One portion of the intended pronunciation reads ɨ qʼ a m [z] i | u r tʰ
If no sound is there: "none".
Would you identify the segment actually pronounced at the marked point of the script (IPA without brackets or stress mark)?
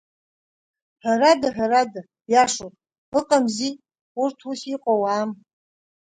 z